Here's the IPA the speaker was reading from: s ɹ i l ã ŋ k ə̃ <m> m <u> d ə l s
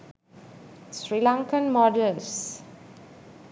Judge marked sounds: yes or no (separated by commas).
no, no